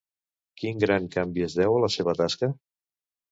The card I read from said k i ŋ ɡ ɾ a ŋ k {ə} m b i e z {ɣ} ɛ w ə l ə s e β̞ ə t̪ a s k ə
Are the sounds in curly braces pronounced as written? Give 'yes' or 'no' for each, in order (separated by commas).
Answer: no, no